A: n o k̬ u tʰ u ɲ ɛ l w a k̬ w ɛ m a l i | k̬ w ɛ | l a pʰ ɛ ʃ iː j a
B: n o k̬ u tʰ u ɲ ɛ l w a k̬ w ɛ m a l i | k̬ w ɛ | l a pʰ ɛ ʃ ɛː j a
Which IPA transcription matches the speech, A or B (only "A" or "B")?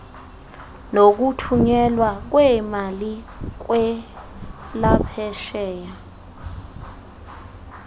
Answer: B